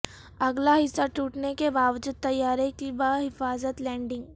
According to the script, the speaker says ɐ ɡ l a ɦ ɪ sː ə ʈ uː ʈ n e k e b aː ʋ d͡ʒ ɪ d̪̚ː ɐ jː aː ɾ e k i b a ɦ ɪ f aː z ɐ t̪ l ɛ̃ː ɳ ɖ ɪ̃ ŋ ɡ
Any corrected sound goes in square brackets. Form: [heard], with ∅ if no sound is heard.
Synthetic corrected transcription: ɐ ɡ l a ɦ ɪ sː [a] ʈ uː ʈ n e k e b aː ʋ d͡ʒ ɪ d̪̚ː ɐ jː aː ɾ e k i b a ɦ ɪ f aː z [ə] t̪ l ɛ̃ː ɳ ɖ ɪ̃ ŋ ɡ

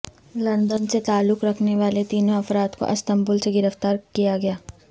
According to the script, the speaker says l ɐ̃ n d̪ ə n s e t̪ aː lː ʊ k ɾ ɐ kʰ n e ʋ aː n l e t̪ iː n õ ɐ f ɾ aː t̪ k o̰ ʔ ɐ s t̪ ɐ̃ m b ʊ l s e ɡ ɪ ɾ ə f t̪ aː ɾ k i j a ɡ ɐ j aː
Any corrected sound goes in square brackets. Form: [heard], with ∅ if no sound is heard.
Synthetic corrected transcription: l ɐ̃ n d̪ ə n s e t̪ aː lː ʊ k ɾ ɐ kʰ n e ʋ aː [∅] l e t̪ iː n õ ɐ f ɾ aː t̪ k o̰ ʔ ɐ s t̪ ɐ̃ m b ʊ l s e ɡ ɪ ɾ ə f t̪ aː ɾ k i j a ɡ ɐ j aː

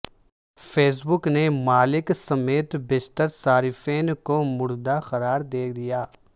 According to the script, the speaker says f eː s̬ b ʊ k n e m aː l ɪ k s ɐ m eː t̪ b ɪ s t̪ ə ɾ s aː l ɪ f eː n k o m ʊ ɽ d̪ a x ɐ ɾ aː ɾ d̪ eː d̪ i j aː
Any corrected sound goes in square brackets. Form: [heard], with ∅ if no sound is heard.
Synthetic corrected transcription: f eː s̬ b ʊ k n e m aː l ɪ k s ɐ m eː t̪ b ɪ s t̪ ə ɾ s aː [ɾ] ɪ f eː n k o m ʊ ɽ d̪ a x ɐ ɾ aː ɾ d̪ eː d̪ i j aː

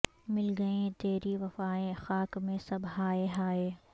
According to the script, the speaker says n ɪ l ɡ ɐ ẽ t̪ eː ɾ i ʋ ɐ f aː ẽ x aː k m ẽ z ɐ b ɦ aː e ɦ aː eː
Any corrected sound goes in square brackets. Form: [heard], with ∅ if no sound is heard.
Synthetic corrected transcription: [m] ɪ l ɡ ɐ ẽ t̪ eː ɾ i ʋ ɐ f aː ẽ x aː k m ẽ [s] ɐ b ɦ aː e ɦ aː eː

